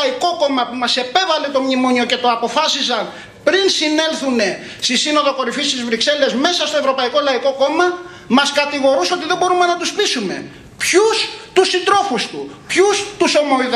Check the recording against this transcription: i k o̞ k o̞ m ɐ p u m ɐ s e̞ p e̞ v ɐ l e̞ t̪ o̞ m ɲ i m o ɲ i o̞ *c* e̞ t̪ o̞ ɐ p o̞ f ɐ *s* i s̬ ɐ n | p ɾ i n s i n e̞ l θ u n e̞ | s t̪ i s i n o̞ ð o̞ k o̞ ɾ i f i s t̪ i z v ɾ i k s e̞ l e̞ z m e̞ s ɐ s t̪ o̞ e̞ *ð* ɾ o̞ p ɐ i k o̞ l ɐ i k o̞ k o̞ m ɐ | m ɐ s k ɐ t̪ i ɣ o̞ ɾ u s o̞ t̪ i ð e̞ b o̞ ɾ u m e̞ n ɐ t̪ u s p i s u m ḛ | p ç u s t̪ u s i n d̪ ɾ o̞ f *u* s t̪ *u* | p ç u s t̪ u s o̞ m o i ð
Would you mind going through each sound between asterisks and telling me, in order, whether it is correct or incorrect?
correct, correct, incorrect: v, correct, correct

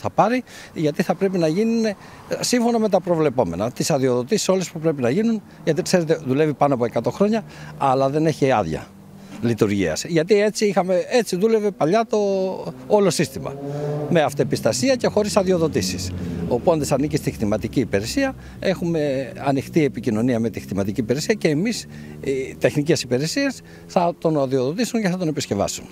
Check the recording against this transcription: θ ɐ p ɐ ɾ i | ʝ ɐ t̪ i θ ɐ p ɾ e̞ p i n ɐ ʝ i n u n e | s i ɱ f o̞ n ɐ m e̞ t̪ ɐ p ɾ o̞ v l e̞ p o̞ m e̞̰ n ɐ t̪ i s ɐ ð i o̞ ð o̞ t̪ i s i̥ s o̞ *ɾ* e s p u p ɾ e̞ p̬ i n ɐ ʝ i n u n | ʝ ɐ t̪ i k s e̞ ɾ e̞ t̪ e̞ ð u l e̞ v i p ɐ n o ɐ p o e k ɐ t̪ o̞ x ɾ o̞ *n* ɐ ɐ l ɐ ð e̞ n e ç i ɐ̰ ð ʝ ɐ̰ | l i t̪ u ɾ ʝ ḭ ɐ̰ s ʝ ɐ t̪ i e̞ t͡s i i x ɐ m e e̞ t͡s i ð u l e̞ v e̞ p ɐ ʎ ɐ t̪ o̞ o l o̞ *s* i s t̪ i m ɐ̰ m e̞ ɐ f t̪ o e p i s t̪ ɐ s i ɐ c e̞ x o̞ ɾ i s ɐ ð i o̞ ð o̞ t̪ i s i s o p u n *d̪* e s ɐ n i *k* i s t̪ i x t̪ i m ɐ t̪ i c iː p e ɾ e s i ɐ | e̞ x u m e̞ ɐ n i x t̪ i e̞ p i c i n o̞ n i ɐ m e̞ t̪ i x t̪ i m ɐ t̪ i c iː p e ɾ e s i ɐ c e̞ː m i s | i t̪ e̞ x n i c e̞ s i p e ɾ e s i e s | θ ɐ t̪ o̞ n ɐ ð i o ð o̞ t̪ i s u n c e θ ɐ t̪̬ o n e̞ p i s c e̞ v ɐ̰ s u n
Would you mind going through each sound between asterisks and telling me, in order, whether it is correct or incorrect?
incorrect: l, incorrect: ɲ, correct, correct, incorrect: c

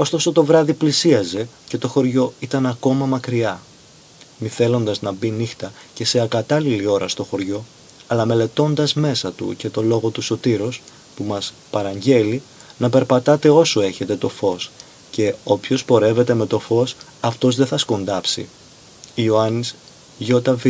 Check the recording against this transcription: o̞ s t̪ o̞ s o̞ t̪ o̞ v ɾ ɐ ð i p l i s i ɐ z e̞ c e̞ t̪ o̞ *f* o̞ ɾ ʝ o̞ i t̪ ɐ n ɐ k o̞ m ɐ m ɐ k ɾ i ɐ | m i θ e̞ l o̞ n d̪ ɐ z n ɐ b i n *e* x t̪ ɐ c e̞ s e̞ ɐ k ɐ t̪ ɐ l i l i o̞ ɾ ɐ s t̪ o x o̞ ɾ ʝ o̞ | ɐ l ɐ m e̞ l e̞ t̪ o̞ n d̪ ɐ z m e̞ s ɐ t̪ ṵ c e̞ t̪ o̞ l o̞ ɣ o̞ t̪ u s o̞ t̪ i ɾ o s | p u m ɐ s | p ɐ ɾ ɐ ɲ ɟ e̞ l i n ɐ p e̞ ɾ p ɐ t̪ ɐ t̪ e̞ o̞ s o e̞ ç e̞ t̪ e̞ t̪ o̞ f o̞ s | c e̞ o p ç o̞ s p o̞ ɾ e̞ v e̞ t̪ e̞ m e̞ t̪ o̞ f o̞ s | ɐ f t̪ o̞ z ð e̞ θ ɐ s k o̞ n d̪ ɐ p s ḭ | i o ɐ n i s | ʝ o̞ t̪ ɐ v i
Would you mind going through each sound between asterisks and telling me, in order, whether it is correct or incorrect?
incorrect: x, incorrect: i

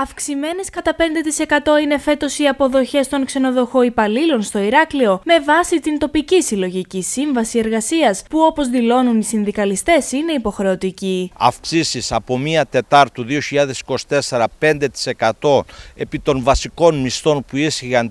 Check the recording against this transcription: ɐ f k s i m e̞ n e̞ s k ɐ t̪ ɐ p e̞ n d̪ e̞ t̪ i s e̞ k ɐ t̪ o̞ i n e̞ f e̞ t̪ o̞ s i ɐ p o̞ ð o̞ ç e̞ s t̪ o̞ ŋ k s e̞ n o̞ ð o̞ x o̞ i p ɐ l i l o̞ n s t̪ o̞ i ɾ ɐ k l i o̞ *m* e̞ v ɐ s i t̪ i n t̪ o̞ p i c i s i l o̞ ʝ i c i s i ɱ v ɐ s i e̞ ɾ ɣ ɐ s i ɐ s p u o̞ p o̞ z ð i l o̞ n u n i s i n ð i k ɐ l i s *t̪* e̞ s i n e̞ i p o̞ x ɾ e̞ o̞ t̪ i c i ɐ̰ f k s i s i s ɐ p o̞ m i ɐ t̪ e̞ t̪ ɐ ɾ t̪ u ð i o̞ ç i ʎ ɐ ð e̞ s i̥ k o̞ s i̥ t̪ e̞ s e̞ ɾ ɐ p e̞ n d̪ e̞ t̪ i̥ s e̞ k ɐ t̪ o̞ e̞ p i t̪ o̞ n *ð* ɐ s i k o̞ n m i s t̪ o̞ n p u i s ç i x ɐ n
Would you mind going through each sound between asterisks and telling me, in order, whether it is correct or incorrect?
correct, correct, incorrect: v

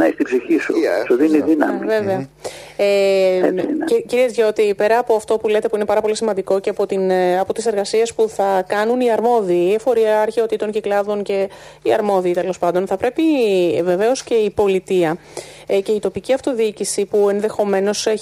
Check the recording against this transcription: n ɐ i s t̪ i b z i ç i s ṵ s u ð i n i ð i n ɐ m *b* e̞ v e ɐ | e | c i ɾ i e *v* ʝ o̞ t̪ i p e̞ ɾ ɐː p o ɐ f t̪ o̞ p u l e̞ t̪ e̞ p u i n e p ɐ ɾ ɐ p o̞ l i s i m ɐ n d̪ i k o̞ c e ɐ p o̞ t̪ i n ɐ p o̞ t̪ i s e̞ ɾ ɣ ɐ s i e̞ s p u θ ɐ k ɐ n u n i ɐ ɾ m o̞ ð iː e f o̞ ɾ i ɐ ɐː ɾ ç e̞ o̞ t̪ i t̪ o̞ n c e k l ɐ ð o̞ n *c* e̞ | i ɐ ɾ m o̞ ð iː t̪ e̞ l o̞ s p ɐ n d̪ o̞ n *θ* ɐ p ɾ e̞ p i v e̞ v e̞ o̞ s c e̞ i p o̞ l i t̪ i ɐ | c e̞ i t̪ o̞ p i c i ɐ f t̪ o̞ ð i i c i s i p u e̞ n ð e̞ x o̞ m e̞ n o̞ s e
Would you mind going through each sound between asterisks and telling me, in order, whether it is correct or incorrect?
incorrect: v, incorrect: z, correct, correct

